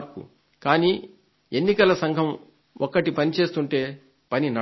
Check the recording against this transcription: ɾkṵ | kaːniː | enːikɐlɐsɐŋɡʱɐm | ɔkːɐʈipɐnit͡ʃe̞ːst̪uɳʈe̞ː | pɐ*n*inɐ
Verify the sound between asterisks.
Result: correct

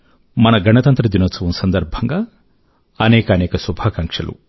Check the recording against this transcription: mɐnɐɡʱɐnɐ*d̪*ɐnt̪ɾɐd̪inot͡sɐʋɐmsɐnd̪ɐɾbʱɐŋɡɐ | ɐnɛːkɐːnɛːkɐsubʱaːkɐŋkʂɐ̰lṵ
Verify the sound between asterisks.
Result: incorrect: t̪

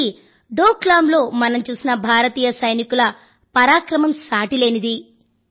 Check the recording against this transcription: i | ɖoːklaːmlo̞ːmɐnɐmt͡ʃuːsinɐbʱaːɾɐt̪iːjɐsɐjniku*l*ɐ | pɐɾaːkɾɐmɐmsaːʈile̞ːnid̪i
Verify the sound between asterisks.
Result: correct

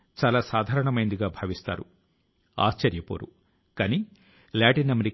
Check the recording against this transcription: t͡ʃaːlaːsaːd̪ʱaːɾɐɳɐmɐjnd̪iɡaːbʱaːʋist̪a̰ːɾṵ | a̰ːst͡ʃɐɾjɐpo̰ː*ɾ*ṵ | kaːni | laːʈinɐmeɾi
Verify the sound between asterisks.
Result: correct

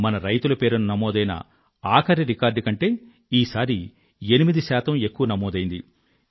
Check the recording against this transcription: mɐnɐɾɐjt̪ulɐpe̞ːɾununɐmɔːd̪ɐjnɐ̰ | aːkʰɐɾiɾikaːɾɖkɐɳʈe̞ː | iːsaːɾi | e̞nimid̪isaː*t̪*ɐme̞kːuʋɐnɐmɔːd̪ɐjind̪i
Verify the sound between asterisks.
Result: correct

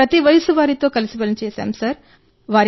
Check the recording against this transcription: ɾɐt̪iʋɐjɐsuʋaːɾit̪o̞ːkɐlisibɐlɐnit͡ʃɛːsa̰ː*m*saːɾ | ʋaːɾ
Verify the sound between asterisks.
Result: correct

